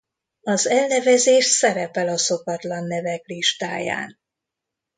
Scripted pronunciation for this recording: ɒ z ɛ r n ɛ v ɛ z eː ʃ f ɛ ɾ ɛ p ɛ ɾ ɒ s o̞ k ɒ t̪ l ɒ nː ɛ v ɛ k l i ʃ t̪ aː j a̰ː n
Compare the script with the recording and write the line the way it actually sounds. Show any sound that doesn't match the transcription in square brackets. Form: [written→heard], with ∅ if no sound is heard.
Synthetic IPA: ɒ z ɛ [r→l] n ɛ v ɛ z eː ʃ [f→s] ɛ ɾ ɛ p ɛ [ɾ→l] ɒ s o̞ k ɒ t̪ l ɒ nː ɛ v ɛ k l i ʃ t̪ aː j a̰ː n